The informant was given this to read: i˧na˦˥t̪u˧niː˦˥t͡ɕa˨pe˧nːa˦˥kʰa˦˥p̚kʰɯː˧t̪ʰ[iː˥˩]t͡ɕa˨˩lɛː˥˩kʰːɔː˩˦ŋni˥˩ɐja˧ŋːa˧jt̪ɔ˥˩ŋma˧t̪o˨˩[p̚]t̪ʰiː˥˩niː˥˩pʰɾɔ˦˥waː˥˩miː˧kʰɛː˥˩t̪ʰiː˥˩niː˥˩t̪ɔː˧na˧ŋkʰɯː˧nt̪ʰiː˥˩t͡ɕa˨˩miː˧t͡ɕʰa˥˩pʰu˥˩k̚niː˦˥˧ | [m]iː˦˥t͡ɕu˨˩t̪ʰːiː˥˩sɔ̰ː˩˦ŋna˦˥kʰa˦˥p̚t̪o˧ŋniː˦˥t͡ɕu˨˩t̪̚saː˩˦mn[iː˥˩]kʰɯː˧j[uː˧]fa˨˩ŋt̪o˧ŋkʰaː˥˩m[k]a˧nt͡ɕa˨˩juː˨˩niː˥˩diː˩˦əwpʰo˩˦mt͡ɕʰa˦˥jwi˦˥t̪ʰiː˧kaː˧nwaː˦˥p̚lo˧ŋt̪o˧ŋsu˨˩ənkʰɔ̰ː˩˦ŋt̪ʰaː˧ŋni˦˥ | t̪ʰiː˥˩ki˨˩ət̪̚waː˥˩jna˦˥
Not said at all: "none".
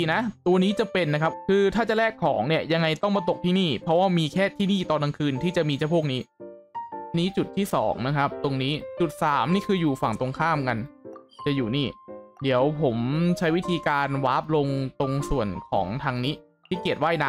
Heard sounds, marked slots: aː˥˩, k̚, n, iː˥˩, uː˨˩, k

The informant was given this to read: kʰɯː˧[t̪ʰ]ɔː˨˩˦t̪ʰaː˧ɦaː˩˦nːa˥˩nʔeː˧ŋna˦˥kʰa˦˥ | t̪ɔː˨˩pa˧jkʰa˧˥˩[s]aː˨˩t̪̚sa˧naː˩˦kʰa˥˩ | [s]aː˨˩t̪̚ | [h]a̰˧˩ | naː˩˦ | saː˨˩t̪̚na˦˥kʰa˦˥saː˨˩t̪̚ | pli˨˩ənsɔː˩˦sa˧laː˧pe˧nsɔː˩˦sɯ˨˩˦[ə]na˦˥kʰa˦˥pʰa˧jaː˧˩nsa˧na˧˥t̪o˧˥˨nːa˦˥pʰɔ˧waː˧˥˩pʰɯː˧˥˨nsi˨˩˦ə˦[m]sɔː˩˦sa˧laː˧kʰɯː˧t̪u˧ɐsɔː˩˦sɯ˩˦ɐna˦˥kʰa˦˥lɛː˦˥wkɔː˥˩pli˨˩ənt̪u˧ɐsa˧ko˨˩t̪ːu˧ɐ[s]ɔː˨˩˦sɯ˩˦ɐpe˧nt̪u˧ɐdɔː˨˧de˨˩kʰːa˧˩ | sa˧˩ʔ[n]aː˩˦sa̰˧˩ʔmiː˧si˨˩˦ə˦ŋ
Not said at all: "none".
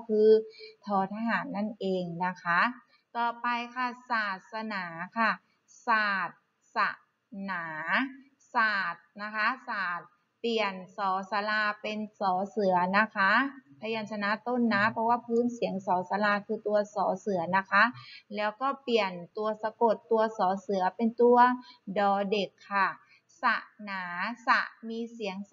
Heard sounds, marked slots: t̪ʰ, s, s, s, ɐ, ŋ, s, n

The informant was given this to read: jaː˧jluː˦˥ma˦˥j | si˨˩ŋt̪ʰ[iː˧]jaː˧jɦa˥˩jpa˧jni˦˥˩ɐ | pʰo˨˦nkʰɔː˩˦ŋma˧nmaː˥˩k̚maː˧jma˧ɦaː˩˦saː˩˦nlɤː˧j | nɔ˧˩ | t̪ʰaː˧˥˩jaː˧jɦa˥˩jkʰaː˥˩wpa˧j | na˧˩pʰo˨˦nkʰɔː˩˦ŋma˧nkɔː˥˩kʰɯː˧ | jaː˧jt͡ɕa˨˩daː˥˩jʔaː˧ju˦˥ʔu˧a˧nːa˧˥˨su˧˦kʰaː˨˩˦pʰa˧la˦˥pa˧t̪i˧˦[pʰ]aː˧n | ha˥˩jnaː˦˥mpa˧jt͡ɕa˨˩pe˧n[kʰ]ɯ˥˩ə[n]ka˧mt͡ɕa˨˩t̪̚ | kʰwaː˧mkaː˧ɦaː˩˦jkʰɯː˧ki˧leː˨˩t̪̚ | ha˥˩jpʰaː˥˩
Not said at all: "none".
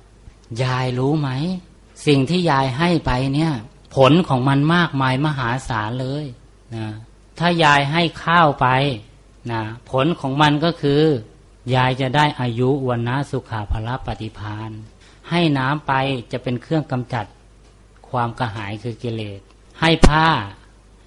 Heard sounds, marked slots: iː˥˩, pʰ, kʰ, ŋ

